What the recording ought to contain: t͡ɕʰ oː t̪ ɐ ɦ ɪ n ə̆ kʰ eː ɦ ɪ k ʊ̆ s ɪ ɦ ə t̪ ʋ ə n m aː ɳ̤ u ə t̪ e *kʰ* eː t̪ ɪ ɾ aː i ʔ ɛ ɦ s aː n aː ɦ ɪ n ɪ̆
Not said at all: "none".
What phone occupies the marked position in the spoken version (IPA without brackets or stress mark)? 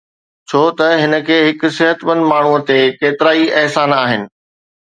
k